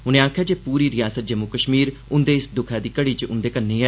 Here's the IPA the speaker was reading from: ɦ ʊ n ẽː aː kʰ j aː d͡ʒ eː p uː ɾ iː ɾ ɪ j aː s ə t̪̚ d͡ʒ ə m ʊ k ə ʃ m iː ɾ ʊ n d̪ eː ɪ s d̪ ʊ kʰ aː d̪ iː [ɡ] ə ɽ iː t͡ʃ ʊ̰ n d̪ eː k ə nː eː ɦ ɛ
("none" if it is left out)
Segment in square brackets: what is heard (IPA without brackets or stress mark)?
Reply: k